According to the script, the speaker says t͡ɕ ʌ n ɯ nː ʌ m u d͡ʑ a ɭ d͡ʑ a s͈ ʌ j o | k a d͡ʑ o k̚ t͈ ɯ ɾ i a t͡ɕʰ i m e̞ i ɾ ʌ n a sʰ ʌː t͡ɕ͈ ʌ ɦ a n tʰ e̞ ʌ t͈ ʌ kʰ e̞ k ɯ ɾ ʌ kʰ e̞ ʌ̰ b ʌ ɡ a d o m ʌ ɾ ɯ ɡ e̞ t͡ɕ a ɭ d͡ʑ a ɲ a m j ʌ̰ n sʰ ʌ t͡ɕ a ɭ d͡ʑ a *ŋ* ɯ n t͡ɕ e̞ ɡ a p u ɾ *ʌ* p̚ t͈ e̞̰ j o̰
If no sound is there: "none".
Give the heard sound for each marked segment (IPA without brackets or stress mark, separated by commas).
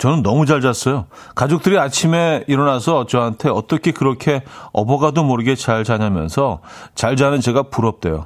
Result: n, ʌ